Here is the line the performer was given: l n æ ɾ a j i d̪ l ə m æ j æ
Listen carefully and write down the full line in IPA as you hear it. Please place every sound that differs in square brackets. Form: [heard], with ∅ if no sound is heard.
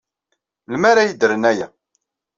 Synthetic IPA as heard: l [m] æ ɾ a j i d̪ [ɾ] ə [n] æ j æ